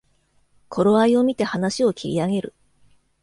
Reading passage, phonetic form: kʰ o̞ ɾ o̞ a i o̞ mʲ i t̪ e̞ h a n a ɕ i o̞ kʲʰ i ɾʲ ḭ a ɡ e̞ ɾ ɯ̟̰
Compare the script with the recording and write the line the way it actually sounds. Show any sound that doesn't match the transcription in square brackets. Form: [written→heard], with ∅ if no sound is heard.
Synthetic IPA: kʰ o̞ ɾ o̞ a i o̞ mʲ i t̪ e̞ h a n a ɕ i o̞ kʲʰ i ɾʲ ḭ a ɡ e̞ ɾ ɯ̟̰